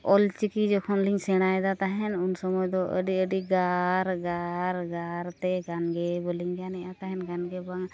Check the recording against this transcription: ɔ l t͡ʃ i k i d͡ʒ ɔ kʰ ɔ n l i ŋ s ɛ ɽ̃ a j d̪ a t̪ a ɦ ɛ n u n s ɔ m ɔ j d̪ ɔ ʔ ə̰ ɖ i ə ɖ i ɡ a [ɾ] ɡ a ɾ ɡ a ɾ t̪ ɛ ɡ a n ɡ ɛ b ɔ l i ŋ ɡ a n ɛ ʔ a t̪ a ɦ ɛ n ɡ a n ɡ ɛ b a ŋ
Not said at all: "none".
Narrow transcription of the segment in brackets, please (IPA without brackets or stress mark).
ɾ